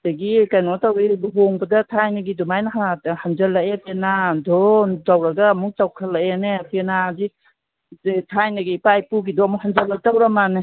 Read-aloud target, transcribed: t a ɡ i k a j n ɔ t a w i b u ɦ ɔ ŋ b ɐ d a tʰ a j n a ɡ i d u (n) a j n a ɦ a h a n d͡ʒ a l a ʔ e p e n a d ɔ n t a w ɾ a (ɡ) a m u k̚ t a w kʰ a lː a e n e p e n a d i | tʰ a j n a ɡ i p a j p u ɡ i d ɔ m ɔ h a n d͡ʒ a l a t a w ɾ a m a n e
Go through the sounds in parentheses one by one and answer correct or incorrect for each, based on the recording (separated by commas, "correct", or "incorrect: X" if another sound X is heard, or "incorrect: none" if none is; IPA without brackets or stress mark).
incorrect: m, correct